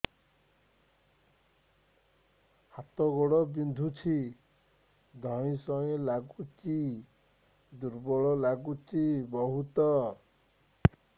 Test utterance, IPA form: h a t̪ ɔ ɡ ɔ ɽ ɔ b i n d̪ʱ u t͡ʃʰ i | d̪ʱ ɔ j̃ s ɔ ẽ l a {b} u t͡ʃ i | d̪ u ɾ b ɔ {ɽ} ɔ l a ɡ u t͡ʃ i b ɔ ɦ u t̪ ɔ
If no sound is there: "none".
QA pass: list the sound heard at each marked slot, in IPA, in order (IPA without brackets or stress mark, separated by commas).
ɡ, ɭ